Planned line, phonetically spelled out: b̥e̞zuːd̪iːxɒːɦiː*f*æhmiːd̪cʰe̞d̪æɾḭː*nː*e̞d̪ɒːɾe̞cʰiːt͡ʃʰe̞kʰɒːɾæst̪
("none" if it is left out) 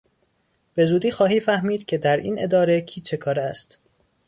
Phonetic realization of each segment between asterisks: f, n

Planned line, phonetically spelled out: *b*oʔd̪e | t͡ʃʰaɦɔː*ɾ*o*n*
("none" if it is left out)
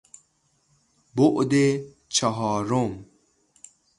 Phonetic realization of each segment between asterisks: b, ɾ, m

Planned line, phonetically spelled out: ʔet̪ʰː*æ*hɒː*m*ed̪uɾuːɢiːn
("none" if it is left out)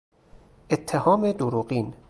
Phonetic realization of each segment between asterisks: e, m

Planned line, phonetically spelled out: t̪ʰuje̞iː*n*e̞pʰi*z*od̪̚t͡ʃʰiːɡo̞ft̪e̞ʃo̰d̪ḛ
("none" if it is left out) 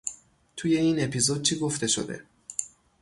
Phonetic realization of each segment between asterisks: n, z

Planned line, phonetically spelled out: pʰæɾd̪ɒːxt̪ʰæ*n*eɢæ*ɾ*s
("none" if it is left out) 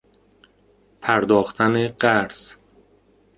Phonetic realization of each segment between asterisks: n, ɾ

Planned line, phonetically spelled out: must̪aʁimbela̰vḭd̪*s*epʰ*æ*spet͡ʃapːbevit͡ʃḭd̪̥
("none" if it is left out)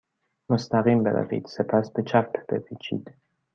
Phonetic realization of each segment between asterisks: s, a

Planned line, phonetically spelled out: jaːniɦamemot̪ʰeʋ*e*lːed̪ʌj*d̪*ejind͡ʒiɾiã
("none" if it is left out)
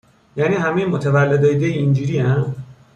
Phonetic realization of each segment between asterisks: a, d̪

